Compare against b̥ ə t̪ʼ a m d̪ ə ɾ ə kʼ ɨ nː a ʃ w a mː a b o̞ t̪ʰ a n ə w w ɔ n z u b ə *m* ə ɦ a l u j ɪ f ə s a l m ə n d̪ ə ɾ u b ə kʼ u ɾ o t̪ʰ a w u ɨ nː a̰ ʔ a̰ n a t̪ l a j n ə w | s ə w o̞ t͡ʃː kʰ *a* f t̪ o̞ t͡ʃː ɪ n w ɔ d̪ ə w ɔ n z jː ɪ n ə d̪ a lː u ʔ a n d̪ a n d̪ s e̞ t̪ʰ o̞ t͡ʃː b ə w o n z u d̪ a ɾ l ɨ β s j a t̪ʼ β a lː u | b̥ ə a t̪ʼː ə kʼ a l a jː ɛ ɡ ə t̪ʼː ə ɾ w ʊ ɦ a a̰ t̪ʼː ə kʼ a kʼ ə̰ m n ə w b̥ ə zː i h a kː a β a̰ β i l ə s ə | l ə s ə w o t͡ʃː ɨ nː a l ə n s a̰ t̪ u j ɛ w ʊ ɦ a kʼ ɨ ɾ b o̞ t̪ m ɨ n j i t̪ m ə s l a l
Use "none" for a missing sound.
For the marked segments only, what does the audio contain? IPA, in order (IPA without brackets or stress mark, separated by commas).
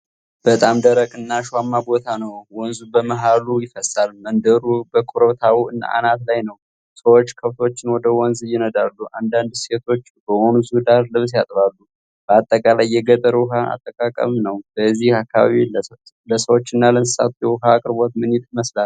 m, ə